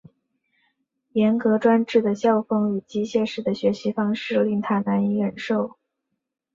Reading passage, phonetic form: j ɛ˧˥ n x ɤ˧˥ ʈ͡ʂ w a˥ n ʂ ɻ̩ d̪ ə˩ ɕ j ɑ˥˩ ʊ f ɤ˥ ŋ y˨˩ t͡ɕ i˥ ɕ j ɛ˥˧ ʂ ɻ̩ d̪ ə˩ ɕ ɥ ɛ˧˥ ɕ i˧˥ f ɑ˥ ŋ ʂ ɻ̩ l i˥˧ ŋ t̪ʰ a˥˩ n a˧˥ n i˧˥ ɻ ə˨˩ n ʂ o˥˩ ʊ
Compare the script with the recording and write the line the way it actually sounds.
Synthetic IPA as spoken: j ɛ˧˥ n k ɤ˧˥ ʈ͡ʂ w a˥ n ʈ͡ʂ ɻ̩ d̪ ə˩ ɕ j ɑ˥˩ ʊ f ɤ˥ ŋ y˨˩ t͡ɕ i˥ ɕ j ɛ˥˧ ʂ ɻ̩ d̪ ə˩ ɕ ɥ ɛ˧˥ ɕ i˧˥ f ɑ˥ ŋ ʂ ɻ̩ l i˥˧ ŋ t̪ʰ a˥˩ n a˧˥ n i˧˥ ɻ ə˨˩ n ʂ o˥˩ ʊ